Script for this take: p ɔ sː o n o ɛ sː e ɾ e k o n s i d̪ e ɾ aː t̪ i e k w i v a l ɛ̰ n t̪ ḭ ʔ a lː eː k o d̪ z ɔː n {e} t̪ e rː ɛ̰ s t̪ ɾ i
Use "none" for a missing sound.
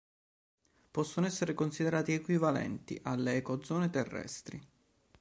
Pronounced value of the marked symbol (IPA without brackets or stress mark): e